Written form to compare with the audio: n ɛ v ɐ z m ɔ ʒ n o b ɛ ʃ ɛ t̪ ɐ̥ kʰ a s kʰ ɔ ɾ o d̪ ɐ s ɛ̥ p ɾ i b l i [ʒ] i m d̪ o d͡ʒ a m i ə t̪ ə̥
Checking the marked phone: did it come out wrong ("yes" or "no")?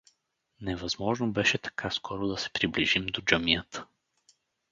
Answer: no